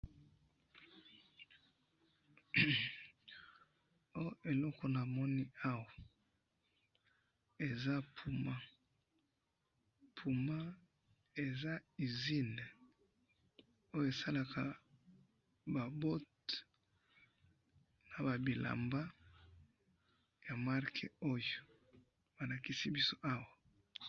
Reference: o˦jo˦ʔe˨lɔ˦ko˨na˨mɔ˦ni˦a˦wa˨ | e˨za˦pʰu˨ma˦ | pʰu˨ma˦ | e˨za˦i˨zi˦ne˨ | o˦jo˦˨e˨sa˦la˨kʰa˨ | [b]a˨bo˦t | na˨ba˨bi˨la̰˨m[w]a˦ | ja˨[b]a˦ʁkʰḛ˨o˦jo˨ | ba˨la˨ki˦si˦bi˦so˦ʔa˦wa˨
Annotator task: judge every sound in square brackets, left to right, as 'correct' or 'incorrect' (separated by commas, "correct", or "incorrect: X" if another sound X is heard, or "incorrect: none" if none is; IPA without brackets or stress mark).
correct, incorrect: b, incorrect: m